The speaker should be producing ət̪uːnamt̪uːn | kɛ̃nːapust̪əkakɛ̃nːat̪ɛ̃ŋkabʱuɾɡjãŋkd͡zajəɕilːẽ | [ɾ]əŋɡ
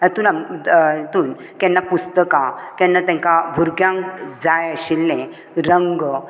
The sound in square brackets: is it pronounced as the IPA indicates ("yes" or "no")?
yes